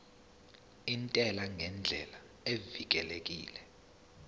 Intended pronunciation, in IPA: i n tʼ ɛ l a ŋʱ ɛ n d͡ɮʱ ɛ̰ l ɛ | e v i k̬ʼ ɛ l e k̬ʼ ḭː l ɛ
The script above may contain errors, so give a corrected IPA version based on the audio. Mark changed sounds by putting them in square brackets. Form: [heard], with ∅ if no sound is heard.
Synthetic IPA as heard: i n tʼ ɛ l a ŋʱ ɛ n d͡ɮʱ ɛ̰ l [a] | e v i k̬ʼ ɛ l e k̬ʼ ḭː l ɛ